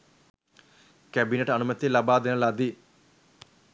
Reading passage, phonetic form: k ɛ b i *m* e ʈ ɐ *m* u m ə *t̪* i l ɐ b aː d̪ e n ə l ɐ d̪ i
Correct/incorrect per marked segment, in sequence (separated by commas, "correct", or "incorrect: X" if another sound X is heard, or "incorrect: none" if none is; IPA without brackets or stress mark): incorrect: n, incorrect: n, correct